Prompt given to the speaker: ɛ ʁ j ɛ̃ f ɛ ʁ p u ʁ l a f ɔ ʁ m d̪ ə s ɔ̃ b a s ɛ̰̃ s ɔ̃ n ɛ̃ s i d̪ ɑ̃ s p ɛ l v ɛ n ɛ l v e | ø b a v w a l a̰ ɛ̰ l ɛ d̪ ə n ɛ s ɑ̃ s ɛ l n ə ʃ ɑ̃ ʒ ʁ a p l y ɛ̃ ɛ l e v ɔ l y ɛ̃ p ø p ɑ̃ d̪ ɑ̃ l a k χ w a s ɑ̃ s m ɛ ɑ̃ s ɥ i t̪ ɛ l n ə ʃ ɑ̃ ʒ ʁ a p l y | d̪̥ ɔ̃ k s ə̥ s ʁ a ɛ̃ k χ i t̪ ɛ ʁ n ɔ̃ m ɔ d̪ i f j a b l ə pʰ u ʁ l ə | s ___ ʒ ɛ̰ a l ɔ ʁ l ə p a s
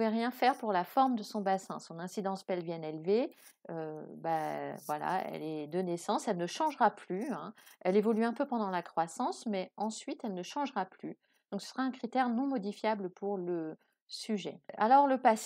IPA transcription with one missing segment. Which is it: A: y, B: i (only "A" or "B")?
A